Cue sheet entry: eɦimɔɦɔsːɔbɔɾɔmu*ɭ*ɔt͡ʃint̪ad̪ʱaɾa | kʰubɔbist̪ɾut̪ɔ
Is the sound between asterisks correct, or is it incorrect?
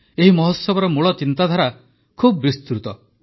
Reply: correct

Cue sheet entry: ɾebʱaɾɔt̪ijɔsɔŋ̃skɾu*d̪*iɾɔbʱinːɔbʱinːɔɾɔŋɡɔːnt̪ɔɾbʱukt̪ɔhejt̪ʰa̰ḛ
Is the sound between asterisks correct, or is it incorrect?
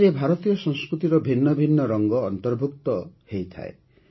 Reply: incorrect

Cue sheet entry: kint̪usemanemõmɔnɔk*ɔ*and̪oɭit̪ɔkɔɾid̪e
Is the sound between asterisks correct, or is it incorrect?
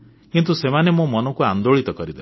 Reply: incorrect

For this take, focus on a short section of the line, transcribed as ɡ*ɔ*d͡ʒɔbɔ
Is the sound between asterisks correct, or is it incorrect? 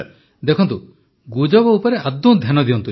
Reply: incorrect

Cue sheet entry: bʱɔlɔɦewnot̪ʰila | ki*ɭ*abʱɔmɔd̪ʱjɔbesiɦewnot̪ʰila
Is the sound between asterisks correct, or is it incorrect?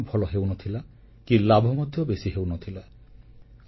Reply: incorrect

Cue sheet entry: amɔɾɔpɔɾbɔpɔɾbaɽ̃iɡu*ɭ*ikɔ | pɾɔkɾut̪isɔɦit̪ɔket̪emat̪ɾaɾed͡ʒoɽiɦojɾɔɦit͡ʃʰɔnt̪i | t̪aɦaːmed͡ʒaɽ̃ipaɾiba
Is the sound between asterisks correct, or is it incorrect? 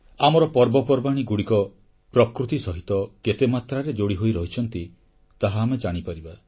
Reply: incorrect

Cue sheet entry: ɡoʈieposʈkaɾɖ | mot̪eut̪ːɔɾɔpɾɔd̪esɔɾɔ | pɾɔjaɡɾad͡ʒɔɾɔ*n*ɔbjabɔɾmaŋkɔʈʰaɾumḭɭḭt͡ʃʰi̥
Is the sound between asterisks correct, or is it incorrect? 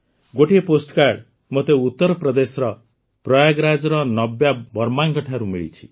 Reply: correct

